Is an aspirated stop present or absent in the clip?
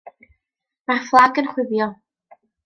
absent